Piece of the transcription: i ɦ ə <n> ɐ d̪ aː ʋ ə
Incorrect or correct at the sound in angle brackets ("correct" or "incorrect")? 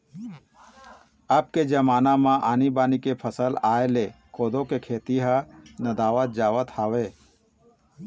correct